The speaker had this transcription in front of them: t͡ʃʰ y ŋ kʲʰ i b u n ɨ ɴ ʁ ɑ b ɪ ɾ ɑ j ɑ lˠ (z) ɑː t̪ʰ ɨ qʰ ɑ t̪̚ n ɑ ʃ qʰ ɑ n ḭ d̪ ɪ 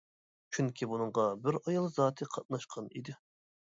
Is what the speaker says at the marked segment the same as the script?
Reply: yes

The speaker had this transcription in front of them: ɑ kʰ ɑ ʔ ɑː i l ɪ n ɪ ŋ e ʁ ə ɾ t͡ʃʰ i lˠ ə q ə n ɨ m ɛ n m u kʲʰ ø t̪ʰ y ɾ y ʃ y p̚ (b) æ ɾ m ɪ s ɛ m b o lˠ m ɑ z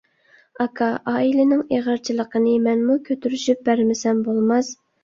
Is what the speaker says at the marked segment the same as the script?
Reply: yes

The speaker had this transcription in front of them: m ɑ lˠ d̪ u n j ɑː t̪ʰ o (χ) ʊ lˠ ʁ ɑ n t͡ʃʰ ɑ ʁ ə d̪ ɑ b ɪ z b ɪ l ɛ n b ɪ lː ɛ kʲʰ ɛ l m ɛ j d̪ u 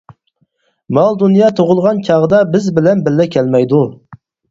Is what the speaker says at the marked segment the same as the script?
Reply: no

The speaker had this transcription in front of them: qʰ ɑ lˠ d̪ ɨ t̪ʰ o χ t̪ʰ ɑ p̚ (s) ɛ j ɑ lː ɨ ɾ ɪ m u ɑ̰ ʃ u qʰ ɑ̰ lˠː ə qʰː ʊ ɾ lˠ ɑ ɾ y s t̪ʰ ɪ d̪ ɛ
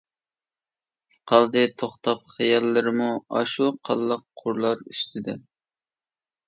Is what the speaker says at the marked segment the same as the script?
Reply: no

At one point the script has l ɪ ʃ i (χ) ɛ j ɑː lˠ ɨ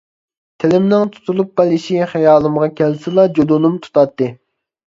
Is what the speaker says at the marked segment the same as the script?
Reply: yes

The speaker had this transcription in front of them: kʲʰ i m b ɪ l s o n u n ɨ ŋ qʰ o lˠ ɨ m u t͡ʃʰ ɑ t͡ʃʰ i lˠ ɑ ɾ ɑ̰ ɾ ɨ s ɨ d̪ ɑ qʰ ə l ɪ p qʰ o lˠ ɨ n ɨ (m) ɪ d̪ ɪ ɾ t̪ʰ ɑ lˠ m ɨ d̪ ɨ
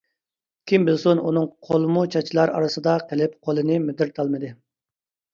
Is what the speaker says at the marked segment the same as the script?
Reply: yes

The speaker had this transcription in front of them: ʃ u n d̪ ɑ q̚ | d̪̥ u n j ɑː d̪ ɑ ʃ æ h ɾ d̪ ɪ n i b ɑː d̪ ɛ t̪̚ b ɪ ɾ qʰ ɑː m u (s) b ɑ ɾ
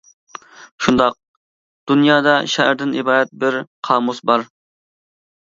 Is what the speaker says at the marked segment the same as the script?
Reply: yes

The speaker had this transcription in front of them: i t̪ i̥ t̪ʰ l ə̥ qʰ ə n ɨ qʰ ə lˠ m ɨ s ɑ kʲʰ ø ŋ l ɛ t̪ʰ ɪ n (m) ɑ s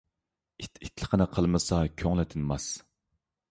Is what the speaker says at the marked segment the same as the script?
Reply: yes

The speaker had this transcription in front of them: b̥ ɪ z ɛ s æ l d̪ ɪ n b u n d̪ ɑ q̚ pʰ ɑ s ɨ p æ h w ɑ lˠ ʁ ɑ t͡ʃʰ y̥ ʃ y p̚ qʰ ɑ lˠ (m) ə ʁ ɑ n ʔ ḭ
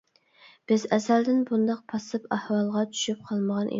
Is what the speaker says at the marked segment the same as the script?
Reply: yes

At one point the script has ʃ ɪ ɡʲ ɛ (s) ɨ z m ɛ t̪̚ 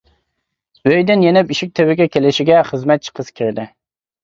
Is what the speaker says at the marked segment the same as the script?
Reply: no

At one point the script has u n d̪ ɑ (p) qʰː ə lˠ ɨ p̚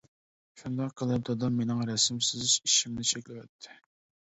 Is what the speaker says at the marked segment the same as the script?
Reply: no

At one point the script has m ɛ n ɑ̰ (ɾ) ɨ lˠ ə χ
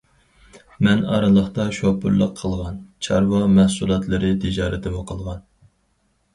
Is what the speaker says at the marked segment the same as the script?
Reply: yes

